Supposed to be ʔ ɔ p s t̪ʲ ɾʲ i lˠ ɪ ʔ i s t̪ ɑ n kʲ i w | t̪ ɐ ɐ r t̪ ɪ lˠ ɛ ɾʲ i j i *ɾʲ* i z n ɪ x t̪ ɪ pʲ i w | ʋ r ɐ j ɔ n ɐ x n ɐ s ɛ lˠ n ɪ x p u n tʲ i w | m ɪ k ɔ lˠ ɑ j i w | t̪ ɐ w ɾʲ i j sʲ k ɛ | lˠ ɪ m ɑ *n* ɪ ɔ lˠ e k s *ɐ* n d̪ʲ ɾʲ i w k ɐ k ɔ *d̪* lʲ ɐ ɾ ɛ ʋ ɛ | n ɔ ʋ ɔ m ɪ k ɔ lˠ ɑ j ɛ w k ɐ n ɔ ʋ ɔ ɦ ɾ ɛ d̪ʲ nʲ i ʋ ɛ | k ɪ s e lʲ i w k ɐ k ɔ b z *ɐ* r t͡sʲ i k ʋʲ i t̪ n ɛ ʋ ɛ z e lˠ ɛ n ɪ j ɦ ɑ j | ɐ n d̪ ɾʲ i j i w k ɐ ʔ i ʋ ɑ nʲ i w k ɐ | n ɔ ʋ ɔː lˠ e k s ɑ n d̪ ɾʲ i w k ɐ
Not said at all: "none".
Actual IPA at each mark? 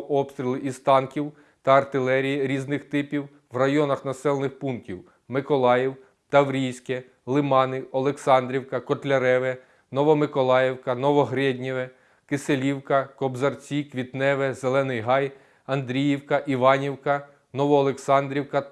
ɾʲ, n, ɑ, t̪, ɐ

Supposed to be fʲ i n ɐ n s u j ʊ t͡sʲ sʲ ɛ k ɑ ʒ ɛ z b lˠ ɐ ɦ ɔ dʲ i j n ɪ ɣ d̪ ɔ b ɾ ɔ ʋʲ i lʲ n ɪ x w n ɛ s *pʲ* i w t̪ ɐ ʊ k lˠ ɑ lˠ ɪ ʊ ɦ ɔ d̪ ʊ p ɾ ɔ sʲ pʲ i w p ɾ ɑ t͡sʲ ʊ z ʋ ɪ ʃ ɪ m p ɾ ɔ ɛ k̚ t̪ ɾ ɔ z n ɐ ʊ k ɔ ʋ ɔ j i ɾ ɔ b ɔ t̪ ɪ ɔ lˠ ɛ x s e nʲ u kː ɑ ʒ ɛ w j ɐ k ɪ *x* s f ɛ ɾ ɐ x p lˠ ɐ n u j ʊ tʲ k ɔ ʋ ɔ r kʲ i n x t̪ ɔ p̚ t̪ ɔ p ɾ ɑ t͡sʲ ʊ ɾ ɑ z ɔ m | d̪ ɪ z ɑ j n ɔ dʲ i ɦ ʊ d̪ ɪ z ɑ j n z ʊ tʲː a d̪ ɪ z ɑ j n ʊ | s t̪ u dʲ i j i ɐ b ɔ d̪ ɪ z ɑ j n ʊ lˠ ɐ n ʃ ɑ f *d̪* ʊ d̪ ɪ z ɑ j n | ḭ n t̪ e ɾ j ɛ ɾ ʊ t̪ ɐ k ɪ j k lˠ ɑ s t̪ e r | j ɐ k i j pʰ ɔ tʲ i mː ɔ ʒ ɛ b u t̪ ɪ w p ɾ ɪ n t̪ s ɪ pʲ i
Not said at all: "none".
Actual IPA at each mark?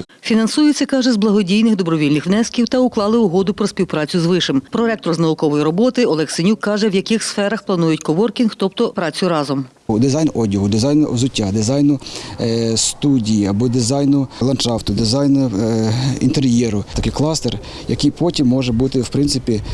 kʲ, x, t̪

